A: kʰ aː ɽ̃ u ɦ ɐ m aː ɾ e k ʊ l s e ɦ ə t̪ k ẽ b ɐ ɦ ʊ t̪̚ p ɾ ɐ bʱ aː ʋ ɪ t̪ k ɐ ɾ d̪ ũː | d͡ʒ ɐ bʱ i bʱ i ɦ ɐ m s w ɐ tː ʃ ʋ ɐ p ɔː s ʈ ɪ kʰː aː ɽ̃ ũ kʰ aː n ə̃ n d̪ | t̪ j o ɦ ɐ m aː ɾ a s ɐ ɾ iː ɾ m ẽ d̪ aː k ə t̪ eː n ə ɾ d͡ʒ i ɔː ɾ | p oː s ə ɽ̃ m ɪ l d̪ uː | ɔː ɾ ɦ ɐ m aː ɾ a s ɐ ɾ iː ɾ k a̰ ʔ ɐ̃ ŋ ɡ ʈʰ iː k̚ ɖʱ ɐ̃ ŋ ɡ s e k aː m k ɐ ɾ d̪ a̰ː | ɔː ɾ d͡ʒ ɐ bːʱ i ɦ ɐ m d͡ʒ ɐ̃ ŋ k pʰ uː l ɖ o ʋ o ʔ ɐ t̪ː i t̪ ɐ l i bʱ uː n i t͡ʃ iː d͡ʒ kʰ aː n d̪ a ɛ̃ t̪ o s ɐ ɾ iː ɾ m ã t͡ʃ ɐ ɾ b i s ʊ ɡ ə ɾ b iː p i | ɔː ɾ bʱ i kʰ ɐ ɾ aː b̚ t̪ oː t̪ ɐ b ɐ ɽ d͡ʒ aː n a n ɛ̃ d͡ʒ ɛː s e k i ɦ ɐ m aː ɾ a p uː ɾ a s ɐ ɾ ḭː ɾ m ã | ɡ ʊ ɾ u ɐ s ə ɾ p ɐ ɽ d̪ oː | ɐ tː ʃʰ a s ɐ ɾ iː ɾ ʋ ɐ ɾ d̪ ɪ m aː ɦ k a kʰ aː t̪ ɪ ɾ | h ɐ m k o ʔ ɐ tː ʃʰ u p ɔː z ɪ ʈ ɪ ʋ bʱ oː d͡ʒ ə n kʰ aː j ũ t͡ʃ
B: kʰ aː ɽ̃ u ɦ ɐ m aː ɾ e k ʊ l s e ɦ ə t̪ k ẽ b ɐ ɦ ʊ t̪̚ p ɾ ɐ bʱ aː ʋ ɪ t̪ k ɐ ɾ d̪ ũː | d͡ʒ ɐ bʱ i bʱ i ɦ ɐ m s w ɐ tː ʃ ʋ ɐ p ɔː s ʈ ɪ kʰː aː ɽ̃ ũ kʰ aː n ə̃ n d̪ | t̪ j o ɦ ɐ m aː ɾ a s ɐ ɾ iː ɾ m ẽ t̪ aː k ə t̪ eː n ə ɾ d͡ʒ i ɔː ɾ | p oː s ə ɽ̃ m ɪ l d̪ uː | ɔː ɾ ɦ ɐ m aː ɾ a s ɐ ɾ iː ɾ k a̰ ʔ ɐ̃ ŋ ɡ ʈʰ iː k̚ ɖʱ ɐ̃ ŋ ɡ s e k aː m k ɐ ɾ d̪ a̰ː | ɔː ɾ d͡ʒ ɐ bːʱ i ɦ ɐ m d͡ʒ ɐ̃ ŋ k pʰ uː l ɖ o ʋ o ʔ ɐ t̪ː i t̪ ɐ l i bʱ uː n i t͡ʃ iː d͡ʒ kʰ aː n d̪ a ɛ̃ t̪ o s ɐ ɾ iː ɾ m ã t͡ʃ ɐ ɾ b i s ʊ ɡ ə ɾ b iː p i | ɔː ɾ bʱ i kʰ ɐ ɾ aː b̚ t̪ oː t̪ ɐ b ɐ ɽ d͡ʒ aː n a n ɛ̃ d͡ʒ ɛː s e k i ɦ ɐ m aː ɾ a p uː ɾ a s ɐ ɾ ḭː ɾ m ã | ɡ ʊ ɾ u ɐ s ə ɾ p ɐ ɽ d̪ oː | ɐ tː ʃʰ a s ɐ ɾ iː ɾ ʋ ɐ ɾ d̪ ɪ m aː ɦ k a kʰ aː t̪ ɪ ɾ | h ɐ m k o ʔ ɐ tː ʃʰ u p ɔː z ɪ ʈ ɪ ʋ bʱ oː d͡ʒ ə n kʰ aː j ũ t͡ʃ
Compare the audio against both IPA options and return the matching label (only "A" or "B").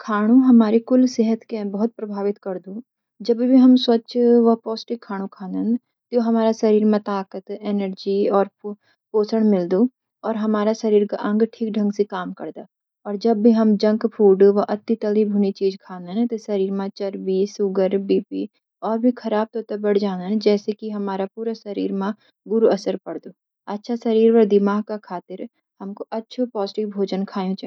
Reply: B